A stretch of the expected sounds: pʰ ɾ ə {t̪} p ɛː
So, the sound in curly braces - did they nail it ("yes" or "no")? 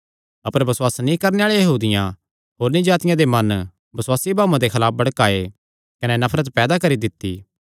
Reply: yes